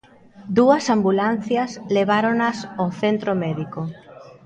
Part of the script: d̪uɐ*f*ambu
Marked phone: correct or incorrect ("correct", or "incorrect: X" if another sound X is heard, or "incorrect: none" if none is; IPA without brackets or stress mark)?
incorrect: s